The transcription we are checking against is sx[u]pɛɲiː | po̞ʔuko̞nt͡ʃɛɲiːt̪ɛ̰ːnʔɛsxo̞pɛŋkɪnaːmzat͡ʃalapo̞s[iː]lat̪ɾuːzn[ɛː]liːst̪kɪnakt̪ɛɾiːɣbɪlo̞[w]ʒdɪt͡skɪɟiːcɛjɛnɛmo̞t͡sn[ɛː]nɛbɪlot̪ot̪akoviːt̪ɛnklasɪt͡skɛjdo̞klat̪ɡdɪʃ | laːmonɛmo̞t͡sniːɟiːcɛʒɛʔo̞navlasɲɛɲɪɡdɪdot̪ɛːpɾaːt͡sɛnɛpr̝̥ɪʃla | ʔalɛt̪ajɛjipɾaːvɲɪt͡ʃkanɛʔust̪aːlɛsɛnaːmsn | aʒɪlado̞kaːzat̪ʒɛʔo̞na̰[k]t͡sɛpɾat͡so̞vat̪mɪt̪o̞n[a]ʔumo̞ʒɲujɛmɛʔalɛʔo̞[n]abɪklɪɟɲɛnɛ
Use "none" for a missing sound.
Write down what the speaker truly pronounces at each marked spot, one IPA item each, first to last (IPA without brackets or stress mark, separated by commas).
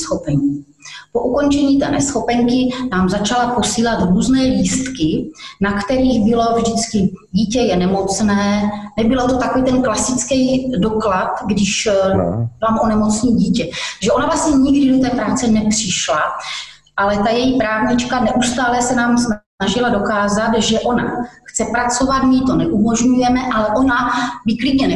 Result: o, iː, ɛː, v, ɛː, x, ɛ, n